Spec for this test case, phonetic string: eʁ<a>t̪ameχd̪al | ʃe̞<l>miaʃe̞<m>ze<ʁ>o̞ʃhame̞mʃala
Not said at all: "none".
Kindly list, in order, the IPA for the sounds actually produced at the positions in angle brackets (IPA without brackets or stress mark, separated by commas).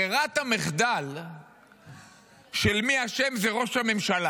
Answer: a, l, m, ʁ